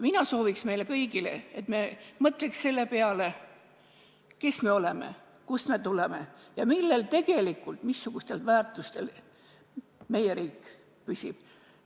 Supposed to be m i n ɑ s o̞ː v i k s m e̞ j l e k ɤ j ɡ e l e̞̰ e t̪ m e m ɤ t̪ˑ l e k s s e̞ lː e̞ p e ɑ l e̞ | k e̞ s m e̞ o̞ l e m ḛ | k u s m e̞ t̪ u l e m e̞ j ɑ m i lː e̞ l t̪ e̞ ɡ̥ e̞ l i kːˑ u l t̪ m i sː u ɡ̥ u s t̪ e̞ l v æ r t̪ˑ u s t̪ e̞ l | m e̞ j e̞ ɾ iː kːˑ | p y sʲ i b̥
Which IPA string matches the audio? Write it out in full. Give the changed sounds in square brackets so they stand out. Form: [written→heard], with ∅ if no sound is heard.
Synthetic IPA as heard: m i n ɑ s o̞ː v i k s m e̞ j l e k ɤ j ɡ [e→i] l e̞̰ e t̪ m e m ɤ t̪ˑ l e k s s e̞ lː e̞ p e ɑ l e̞ | k e̞ s m e̞ o̞ l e m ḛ | k u s m e̞ t̪ u l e m e̞ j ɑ m i lː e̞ l t̪ e̞ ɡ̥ e̞ l i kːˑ u l t̪ m i sː u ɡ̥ u s t̪ e̞ l v [æ→æː] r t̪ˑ u s t̪ e̞ l | m e̞ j e̞ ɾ iː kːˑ | p y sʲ i b̥